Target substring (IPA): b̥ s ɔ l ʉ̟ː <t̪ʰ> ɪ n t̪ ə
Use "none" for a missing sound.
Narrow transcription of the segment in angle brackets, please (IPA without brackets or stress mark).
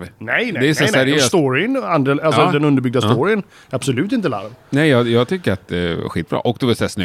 t̪